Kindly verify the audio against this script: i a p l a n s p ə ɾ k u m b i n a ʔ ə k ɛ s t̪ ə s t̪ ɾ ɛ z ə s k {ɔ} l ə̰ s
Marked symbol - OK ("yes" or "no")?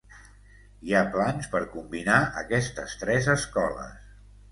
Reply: yes